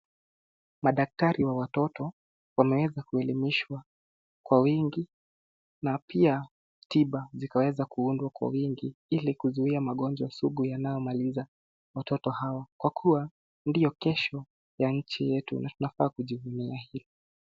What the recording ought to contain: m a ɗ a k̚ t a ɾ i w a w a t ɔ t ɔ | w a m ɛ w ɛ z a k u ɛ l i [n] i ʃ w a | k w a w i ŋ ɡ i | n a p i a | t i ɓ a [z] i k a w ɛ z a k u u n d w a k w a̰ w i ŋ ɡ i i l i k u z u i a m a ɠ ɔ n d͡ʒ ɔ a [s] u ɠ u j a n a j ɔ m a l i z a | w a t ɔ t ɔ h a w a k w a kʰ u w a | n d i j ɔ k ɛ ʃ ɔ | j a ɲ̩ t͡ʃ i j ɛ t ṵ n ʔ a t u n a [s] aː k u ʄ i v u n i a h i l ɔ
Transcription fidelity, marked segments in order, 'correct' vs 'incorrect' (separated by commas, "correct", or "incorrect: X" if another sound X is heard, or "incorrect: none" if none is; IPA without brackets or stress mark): incorrect: m, correct, correct, incorrect: f